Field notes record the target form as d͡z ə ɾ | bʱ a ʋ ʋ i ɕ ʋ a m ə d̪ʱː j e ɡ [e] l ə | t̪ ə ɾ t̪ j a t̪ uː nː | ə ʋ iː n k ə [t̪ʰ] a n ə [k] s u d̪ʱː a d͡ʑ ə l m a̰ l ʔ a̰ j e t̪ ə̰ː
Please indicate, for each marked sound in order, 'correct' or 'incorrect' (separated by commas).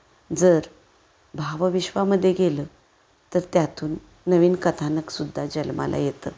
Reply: correct, correct, correct